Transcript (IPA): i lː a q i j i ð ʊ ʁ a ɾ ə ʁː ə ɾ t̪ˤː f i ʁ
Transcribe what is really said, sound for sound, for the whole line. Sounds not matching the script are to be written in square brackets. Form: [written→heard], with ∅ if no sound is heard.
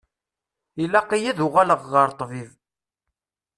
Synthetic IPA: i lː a q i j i ð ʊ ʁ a [ɾ→l] ə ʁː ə ɾ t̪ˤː [f→v] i [ʁ→v]